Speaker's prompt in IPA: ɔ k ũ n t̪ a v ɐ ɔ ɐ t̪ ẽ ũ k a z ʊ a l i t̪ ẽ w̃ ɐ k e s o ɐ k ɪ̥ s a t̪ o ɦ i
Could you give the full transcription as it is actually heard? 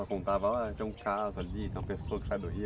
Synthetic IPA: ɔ k õ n t̪ a v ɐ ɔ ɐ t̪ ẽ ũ k a z ʊ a l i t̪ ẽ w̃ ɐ p e s o ɐ k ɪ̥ s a d̪ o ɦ i